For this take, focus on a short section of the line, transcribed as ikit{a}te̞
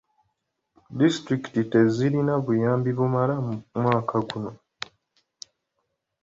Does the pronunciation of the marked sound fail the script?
yes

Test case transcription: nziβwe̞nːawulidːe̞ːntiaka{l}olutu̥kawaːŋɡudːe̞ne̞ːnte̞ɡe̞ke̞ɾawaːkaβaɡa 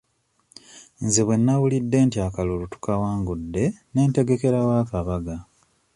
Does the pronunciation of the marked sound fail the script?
no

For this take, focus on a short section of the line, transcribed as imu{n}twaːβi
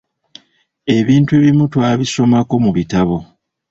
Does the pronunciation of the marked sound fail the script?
yes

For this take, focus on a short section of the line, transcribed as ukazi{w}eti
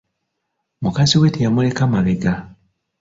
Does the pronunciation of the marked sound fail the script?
no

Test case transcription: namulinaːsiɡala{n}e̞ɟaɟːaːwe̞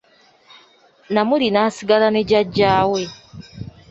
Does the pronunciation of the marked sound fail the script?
no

